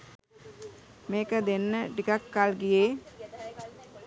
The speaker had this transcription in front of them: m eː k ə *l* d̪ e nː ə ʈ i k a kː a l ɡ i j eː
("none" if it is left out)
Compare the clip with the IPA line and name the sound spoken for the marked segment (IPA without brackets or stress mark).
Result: none